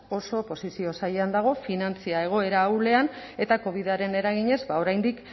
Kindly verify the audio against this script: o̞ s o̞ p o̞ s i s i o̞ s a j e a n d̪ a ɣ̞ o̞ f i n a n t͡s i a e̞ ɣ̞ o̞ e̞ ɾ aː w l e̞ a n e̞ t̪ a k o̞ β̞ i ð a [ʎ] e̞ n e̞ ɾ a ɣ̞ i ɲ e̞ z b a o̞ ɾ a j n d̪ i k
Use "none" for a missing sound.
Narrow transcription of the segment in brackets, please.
ɾ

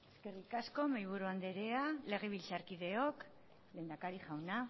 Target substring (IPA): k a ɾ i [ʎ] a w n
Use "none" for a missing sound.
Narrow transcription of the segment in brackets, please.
ʝ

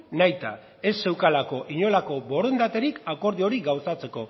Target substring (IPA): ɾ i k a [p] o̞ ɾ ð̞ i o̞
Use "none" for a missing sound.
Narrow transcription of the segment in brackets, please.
k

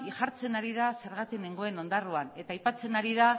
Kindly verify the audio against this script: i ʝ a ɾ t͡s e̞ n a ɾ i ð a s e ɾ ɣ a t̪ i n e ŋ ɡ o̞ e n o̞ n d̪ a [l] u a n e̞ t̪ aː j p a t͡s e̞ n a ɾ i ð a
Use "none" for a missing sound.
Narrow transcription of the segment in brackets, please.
r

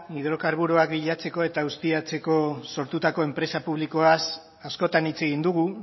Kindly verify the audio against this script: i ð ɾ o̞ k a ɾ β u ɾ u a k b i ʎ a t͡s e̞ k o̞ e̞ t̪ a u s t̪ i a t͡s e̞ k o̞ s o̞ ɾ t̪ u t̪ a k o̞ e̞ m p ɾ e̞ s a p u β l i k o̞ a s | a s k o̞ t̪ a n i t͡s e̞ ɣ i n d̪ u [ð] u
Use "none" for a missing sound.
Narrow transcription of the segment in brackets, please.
ɣ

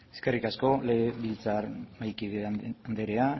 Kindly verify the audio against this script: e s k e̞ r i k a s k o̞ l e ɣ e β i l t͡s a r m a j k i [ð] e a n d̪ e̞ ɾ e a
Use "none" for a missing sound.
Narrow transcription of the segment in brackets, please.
ð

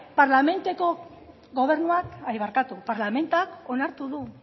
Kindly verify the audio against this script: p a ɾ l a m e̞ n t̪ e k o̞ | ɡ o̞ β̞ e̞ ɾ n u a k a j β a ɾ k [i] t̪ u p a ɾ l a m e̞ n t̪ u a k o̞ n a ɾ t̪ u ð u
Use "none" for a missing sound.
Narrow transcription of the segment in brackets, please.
a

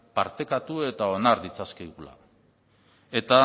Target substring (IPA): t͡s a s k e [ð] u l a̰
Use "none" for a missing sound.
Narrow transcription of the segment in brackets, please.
ɣ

